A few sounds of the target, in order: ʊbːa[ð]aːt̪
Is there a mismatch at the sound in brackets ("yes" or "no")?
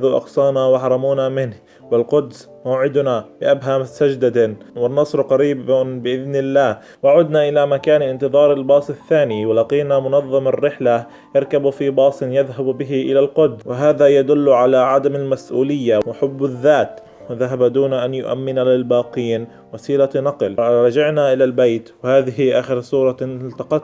yes